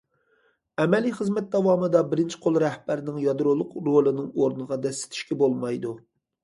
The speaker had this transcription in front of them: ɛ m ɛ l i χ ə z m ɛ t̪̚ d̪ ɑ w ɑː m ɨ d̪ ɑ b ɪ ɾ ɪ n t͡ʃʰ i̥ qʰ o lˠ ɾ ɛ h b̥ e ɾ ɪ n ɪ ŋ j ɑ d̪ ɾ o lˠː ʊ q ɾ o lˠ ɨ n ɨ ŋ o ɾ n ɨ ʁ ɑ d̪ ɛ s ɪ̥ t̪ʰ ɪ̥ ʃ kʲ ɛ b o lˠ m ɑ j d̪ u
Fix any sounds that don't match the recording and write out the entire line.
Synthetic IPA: ɛ m ɛ l i χ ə z m ɛ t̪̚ d̪ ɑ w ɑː m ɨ d̪ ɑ b ɪ ɾ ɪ n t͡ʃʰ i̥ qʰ o lˠ ɾ ɛ h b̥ æ ɾ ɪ n ɪ ŋ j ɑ d̪ ɾ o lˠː ʊ q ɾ o lˠ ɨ n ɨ ŋ o ɾ n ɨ ʁ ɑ d̪ ɛ s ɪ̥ t̪ʰ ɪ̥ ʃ kʲ ɛ b o lˠ m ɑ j d̪ u